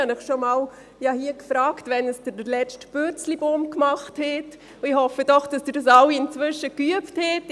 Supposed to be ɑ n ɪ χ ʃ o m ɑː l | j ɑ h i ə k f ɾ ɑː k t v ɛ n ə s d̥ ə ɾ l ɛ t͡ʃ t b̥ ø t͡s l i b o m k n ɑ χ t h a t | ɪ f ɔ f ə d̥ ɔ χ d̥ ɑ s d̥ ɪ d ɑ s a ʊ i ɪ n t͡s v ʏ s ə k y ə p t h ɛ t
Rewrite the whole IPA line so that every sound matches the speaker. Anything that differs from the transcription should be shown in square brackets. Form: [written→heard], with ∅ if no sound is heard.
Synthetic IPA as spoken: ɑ n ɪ χ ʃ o m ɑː l | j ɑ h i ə k f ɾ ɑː k t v ɛ n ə s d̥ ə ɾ l ɛ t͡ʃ t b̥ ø t͡s l i b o m k [n→m] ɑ χ t h [a→ɛ] t | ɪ [f→h] ɔ f ə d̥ ɔ χ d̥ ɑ s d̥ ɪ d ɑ s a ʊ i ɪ n t͡s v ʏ [s→ʃ] ə k y ə p t h ɛ t